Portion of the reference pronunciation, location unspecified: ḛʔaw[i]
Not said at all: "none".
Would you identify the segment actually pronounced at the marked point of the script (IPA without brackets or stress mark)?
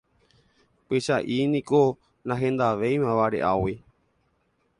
i